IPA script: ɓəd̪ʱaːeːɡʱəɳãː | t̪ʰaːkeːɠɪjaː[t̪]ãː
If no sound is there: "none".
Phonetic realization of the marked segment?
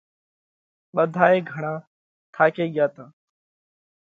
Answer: t̪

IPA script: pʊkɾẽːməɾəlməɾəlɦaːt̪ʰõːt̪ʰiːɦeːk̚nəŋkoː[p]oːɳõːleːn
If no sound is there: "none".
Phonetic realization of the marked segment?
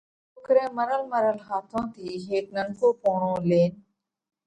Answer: p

